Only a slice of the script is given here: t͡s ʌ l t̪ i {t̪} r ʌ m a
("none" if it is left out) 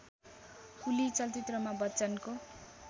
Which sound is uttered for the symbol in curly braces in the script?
t̪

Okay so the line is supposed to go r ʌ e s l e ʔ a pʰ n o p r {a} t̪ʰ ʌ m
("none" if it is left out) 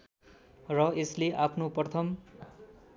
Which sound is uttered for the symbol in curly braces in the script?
ʌ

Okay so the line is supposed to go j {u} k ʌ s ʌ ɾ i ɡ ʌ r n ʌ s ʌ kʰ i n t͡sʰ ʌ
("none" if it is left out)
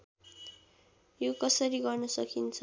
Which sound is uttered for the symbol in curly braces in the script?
o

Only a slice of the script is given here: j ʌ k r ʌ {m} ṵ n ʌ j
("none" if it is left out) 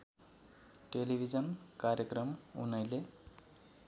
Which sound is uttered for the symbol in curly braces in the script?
m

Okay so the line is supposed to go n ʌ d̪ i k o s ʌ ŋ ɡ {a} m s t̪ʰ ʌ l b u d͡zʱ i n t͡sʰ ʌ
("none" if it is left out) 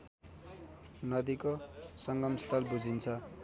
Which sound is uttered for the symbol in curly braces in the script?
ʌ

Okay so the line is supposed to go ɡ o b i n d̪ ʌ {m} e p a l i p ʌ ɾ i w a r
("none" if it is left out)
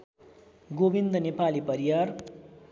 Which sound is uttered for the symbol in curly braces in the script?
n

